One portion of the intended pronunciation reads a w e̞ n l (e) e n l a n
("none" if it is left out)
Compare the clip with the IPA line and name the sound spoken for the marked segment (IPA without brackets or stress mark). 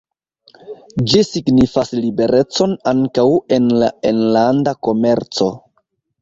a